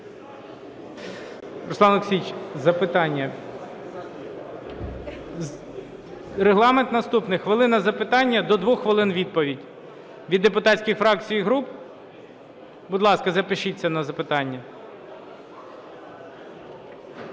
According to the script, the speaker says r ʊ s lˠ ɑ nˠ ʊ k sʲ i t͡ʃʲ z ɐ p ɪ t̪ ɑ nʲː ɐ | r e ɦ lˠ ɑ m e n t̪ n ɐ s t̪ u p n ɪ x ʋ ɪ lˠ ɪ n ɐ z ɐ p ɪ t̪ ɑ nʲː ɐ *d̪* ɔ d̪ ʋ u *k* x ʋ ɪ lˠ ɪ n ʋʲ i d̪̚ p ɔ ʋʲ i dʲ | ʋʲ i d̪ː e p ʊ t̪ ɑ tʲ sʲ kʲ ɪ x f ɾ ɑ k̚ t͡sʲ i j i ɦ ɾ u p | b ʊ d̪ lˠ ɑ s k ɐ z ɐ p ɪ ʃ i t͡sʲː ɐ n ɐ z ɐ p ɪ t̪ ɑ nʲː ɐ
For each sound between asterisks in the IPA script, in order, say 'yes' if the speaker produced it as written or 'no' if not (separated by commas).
yes, no